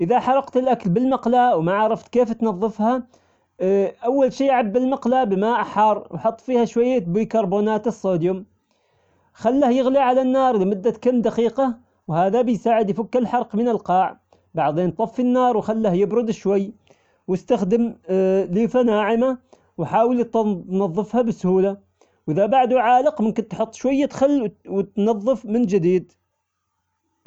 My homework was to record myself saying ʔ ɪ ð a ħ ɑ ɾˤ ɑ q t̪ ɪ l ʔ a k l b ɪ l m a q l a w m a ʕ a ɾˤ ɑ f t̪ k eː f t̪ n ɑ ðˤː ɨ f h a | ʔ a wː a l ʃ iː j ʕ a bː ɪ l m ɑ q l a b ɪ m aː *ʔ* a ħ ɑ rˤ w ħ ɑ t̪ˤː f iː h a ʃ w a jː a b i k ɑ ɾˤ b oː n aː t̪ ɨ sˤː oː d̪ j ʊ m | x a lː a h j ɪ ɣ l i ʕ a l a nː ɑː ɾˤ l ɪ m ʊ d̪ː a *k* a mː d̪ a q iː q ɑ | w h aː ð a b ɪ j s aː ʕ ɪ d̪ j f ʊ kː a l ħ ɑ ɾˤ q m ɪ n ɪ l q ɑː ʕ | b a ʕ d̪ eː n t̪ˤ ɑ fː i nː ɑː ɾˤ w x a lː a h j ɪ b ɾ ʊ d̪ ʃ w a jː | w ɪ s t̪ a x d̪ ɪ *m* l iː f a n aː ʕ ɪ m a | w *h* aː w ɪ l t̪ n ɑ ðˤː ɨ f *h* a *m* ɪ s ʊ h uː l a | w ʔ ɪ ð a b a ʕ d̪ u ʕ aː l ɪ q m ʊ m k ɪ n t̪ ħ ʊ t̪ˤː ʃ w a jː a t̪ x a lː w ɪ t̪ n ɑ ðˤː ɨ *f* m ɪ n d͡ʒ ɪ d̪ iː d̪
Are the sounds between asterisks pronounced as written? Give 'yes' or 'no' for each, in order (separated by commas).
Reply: yes, yes, yes, no, yes, no, yes